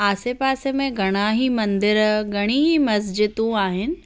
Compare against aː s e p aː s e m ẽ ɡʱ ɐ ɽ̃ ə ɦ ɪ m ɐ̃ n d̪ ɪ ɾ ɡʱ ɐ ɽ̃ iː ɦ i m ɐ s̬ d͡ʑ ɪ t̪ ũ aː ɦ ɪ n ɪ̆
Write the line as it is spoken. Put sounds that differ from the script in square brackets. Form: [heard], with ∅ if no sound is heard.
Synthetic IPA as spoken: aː s e p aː s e m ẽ ɡʱ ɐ ɽ̃ [a] ɦ [i] m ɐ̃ n d̪ ɪ ɾ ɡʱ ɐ ɽ̃ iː ɦ i m ɐ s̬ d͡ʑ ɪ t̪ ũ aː ɦ ɪ n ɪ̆